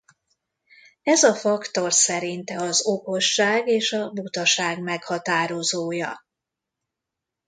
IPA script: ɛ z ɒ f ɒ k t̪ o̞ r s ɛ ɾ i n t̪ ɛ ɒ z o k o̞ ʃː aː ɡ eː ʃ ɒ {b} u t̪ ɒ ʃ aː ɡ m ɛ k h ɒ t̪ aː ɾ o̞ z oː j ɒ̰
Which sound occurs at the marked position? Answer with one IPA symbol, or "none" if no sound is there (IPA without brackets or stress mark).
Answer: b